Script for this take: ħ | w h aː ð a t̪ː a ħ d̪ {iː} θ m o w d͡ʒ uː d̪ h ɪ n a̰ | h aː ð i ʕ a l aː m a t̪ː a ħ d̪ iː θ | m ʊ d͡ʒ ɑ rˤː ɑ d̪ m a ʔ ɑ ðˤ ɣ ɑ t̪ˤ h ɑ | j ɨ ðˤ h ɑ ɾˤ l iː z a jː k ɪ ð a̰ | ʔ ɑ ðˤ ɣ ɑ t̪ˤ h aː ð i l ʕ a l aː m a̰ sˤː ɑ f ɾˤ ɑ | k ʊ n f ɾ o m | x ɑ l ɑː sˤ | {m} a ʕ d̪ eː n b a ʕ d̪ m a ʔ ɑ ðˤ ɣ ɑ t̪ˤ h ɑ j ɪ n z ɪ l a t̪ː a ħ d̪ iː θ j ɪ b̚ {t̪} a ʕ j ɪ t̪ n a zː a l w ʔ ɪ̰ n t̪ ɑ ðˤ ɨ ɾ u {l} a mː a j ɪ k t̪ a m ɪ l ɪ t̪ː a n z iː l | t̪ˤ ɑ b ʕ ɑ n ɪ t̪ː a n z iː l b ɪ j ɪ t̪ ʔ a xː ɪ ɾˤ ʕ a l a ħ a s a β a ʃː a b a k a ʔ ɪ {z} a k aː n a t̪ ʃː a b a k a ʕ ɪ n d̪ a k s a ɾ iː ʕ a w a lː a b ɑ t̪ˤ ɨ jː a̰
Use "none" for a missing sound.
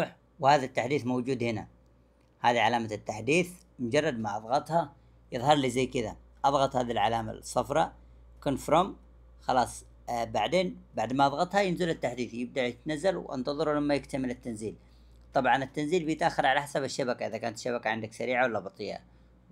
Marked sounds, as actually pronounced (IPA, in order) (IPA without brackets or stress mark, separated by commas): iː, b, d̪, l, ð